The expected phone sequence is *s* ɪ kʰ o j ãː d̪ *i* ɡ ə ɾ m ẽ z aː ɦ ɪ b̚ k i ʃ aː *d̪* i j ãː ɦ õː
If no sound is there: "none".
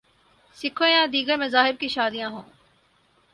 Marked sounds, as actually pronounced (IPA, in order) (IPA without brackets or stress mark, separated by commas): s, iː, d̪